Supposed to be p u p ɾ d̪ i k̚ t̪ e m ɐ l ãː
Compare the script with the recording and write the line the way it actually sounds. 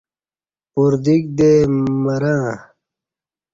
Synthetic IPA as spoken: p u ɾ d̪ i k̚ d̪ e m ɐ ɾ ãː